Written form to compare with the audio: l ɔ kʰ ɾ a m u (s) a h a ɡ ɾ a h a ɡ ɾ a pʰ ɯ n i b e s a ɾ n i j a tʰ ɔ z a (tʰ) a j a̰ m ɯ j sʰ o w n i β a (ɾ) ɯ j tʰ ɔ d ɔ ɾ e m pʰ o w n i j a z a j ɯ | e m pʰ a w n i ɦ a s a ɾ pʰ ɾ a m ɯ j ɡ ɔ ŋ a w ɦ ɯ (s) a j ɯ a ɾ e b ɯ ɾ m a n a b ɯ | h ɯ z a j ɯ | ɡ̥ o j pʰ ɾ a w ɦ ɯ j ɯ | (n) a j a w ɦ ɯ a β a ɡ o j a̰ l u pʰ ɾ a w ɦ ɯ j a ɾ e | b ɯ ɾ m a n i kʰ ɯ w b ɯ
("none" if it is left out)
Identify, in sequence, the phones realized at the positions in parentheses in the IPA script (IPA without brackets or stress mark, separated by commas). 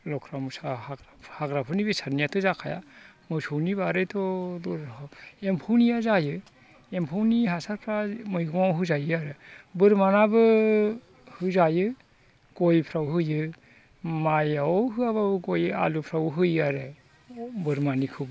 s, kʰ, ɾ, z, m